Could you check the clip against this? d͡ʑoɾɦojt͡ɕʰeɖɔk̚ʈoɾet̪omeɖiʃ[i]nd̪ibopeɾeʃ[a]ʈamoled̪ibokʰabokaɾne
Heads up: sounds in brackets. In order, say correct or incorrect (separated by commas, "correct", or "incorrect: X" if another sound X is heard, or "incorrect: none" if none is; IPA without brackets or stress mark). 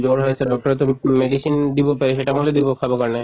correct, incorrect: e